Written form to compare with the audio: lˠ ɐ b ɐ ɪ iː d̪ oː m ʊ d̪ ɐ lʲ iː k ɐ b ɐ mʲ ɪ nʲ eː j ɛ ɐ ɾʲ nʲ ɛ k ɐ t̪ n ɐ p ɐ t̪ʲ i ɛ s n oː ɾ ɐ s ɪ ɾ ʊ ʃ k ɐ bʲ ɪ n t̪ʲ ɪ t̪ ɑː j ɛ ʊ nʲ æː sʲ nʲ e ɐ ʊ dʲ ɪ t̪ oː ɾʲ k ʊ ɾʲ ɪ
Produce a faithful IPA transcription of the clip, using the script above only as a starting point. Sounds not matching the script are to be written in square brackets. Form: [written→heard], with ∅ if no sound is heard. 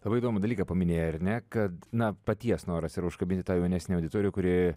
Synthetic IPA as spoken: lˠ ɐ b ɐ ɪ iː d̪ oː m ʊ d̪ ɐ lʲ iː k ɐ [b→p] ɐ mʲ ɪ nʲ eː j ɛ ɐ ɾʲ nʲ ɛ k ɐ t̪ n ɐ p ɐ t̪ʲ i ɛ s n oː ɾ ɐ s ɪ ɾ ʊ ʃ k ɐ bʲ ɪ n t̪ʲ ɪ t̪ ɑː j ɛ ʊ nʲ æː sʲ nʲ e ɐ ʊ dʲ ɪ t̪ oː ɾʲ k ʊ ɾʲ ɪ